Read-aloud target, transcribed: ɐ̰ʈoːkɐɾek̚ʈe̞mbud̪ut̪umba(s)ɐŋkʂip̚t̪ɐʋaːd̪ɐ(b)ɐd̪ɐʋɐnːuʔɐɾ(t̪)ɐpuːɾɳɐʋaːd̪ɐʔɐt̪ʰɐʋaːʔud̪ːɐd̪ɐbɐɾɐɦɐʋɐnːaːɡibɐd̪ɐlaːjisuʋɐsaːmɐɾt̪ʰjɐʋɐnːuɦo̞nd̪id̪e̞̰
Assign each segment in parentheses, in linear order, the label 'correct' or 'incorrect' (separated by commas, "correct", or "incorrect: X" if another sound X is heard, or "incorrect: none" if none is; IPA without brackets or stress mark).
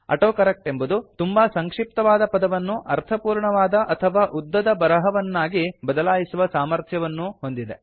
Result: correct, incorrect: p, incorrect: t̪ʰ